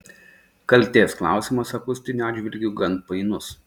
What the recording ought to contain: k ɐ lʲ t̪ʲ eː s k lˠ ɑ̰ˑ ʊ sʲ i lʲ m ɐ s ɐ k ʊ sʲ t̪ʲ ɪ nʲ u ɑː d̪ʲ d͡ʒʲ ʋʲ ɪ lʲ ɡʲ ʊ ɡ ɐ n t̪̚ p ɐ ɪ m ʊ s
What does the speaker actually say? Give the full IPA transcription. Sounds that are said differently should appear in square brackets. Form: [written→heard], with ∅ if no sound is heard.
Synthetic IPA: k ɐ lʲ t̪ʲ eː s k lˠ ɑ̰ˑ ʊ sʲ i [lʲ→∅] m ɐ s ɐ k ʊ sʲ t̪ʲ ɪ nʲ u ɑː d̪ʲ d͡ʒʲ ʋʲ ɪ lʲ ɡʲ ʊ ɡ ɐ n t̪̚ p ɐ ɪ [m→n] ʊ s